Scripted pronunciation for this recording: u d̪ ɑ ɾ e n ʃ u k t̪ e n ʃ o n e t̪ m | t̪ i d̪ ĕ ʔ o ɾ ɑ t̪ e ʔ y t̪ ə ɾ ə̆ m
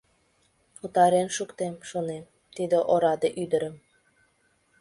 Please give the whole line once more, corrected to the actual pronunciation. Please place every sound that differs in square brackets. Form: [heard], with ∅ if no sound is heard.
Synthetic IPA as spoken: u [t̪] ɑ ɾ e n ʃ u k t̪ e [m] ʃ o n e [∅] m | t̪ i d̪ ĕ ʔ o ɾ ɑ [d̪] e ʔ y [d̪] ə ɾ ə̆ m